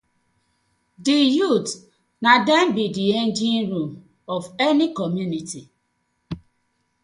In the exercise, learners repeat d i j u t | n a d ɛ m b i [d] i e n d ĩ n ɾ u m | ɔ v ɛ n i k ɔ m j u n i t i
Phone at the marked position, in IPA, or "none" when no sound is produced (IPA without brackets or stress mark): d